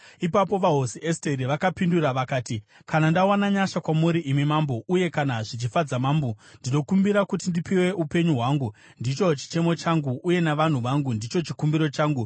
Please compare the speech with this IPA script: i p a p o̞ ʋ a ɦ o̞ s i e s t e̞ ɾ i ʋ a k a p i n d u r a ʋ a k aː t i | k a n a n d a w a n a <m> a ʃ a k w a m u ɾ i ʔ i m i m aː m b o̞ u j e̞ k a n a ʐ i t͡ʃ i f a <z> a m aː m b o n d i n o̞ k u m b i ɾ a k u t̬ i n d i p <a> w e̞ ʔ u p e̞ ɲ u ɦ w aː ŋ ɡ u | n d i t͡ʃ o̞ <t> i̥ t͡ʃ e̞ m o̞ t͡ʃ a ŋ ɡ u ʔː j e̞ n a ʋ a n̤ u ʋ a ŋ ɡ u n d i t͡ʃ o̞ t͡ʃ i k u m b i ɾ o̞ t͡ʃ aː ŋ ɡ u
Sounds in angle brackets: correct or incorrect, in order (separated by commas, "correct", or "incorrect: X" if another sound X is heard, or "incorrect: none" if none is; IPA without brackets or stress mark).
incorrect: ɲ, incorrect: d͡z, incorrect: i, incorrect: t͡ʃ